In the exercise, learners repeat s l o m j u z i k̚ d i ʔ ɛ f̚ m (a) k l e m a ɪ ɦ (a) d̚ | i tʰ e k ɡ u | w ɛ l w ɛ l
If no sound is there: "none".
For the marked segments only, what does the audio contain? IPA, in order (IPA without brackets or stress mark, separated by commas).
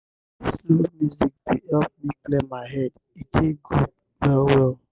i, ɛ